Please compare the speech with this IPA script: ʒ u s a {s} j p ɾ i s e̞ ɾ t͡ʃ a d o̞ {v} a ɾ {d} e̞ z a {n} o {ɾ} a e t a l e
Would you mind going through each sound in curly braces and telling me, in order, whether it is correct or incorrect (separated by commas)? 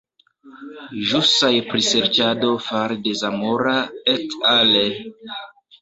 incorrect, incorrect, correct, incorrect, correct